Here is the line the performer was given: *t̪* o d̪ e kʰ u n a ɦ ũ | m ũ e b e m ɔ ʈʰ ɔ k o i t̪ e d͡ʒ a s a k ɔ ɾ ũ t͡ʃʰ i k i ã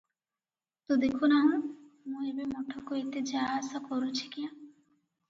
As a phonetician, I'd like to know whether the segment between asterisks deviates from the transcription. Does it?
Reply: no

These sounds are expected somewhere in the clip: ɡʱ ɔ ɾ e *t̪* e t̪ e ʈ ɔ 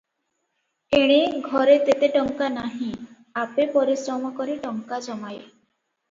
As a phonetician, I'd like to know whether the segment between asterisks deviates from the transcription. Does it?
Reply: no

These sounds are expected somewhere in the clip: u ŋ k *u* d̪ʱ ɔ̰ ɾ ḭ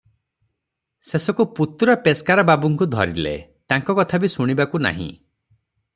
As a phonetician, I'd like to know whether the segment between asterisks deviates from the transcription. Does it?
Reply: no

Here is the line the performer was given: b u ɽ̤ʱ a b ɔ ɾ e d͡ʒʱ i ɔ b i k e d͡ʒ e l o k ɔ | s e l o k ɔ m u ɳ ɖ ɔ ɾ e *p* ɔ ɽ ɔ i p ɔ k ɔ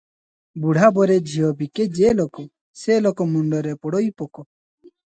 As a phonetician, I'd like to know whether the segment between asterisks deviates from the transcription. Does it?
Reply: no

